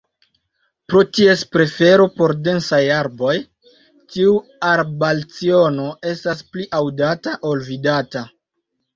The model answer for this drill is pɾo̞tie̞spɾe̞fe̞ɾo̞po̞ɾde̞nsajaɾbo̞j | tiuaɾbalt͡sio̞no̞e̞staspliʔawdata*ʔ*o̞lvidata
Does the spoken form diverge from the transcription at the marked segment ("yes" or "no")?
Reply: no